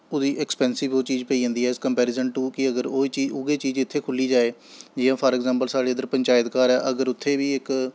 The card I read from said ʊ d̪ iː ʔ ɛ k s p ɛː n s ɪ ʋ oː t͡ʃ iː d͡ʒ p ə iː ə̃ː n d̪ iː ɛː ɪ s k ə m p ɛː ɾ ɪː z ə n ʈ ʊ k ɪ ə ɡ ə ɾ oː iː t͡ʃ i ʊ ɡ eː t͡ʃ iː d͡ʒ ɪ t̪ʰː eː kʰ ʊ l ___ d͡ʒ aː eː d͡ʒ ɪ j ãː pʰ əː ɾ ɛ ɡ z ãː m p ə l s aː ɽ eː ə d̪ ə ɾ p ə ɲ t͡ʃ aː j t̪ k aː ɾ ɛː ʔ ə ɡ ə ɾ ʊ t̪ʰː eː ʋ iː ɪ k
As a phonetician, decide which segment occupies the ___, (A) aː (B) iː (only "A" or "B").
B